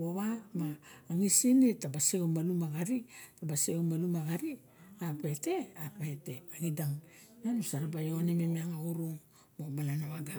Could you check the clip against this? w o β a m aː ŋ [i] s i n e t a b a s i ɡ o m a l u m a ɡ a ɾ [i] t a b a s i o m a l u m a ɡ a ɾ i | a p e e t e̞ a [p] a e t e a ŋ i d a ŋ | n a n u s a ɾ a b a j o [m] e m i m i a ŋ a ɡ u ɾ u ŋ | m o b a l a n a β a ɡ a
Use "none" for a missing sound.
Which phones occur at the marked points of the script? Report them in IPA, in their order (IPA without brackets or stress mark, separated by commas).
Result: i, i, p, n